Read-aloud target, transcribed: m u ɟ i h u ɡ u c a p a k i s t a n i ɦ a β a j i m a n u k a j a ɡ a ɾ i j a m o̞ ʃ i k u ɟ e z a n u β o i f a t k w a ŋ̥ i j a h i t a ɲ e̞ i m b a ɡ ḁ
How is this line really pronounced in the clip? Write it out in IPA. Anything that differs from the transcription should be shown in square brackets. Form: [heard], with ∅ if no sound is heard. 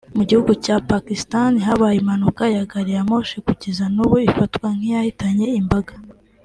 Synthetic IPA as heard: m u ɟ i h u ɡ u c a p a k i s t a n i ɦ a β a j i m a n u k a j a ɡ a ɾ i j a m o̞ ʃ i k u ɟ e z a n u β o i f a t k w a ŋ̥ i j a h i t a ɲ e̞ i m b a ɡ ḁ